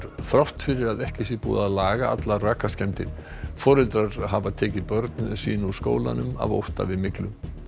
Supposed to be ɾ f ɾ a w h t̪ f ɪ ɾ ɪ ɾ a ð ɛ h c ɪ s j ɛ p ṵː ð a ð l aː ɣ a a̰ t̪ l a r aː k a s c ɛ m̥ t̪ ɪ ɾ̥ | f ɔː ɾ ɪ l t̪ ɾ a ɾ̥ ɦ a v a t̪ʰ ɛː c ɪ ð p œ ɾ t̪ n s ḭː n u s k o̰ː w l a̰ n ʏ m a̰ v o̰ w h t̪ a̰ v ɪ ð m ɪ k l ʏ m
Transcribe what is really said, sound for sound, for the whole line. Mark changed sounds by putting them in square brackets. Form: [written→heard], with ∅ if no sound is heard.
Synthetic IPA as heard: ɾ [f→θ] ɾ a w h t̪ f ɪ ɾ ɪ ɾ a ð ɛ h c ɪ s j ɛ p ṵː ð a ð l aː ɣ a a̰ t̪ l a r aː k a s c ɛ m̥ t̪ ɪ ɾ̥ | f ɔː ɾ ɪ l t̪ ɾ a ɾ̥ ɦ a v a t̪ʰ ɛː c ɪ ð p œ ɾ t̪ n s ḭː n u s k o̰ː w l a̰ n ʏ m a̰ v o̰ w h t̪ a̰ v ɪ ð m ɪ k l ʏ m